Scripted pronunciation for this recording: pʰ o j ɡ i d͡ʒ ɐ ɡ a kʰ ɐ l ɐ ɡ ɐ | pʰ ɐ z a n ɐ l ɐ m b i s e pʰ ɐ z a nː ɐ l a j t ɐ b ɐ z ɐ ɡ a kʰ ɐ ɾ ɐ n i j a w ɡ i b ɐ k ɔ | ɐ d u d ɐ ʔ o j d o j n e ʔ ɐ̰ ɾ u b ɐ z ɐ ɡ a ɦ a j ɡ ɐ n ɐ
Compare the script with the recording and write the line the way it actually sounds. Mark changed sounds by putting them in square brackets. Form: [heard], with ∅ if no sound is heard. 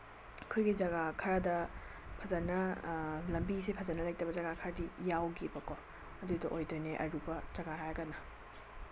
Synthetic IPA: [kʰ] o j ɡ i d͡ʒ ɐ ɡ a kʰ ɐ [ɾ] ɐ [d] ɐ | pʰ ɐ z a n ɐ l ɐ m b i s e pʰ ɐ z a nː ɐ l a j t ɐ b ɐ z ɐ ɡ a kʰ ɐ ɾ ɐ [d] i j a w ɡ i b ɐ k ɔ | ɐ d u d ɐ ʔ o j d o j n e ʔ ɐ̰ ɾ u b ɐ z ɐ ɡ a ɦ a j ɡ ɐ n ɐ

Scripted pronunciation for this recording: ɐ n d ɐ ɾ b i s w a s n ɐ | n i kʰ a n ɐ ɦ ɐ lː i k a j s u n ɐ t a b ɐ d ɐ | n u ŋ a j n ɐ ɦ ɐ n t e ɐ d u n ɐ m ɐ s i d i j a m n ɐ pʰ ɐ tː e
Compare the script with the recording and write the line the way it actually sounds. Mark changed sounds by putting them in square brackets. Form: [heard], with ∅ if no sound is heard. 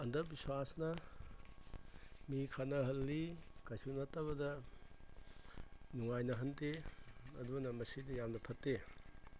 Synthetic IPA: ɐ n d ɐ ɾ b i s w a s n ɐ | [m] i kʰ a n ɐ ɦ ɐ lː i k a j s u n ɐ t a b ɐ d ɐ | n u ŋ a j n ɐ ɦ ɐ n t e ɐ d u n ɐ m ɐ s i d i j a m n ɐ pʰ ɐ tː e

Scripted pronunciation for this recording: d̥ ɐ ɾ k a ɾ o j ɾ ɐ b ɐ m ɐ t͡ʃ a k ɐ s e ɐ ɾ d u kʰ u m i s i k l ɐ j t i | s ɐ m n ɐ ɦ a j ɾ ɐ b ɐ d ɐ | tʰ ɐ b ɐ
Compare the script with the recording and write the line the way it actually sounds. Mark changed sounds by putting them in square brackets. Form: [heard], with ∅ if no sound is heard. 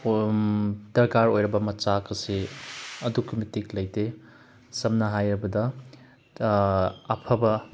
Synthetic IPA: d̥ ɐ ɾ k a ɾ o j ɾ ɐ b ɐ m ɐ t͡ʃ a k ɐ s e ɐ [∅] d u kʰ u m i [t] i k l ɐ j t [e] | s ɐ m n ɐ ɦ a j ɾ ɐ b ɐ d ɐ | [pʰ] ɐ b ɐ

